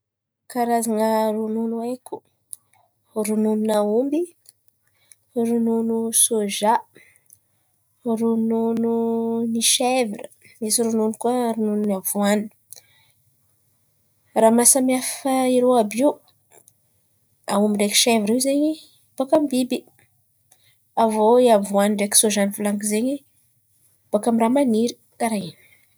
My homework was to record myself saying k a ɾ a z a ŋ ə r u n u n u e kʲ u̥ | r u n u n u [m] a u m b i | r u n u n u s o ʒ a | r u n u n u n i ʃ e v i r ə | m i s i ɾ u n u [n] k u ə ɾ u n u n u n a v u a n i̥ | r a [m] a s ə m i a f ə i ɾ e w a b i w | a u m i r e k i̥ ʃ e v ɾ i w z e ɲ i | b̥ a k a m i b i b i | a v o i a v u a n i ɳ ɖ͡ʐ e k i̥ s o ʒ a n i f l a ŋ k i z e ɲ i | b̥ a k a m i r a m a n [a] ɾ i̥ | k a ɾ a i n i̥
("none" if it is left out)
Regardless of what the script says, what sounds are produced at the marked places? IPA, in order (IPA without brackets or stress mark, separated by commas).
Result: n, n, m, i